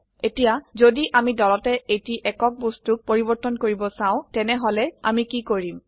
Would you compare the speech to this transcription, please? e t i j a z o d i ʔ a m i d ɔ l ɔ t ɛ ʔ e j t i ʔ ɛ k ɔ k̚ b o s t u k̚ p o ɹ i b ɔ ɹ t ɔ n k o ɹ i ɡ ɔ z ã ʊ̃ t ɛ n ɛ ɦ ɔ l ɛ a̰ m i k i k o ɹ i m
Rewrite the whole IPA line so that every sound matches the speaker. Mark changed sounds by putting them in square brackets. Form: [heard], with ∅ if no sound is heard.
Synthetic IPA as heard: e t i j a z o d i ʔ a m i d ɔ l ɔ t ɛ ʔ e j t i ʔ ɛ k ɔ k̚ b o s t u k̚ p o ɹ i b ɔ ɹ t ɔ n k o ɹ i [b] ɔ [s] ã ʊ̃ t ɛ n ɛ ɦ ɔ l ɛ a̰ m i k i k o ɹ i m